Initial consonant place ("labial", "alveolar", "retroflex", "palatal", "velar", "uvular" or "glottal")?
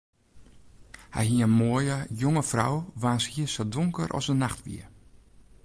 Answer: glottal